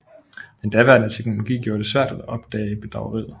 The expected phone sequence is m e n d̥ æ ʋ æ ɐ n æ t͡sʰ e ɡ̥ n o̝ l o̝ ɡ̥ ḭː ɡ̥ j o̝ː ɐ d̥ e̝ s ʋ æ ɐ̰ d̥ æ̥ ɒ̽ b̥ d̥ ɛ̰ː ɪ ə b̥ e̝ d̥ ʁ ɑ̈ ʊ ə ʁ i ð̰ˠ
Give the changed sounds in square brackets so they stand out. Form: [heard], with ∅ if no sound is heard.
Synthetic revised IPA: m e n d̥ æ ʋ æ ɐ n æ t͡sʰ e ɡ̥ n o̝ l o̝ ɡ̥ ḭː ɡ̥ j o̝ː ɐ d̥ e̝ s ʋ æ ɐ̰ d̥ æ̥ ɒ̽ b̥ d̥ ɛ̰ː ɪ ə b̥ e̝ d̥ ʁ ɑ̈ ʊ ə ʁ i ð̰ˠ